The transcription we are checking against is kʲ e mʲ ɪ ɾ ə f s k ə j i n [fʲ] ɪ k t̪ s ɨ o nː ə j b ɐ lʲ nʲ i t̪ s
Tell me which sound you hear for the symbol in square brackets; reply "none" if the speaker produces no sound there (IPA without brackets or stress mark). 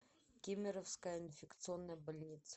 fʲ